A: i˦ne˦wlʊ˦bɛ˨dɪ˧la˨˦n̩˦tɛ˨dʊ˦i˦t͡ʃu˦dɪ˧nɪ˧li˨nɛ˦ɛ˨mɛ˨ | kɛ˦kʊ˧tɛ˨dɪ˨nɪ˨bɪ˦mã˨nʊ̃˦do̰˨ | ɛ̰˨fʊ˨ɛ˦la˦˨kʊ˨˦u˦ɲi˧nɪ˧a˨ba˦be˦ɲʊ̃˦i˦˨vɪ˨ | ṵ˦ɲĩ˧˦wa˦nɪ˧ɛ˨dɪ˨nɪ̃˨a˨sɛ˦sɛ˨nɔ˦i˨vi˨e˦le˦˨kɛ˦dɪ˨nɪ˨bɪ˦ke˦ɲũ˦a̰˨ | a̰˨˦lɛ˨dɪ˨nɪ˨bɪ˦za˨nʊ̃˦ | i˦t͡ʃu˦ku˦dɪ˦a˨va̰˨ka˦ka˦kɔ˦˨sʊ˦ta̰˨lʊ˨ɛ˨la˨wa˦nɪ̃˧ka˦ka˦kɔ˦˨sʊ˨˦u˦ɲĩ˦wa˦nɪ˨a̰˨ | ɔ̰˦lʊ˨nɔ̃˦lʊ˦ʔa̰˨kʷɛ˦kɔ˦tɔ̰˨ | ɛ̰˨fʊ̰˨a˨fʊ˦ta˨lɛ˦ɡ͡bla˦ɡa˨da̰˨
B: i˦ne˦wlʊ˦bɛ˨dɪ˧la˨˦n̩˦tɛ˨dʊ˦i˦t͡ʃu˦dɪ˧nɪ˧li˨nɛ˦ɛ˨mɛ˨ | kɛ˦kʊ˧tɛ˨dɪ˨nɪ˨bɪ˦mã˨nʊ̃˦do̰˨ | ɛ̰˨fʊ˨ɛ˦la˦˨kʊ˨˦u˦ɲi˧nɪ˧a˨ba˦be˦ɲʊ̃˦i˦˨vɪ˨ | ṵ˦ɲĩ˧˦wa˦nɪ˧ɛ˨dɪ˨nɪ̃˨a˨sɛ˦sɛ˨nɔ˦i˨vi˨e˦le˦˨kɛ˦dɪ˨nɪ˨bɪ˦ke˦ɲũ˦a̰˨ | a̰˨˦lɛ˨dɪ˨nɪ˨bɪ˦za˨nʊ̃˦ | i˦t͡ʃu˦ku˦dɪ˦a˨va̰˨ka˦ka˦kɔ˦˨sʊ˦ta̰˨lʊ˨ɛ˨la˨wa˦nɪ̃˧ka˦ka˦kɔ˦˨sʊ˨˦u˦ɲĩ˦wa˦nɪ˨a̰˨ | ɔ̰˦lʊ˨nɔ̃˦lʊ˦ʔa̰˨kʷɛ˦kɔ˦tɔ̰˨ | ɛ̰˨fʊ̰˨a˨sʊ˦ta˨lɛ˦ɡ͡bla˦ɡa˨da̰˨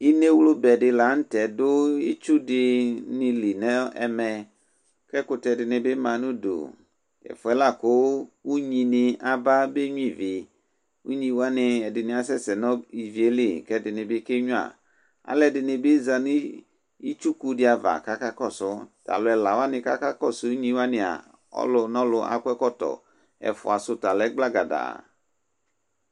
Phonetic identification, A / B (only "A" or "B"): B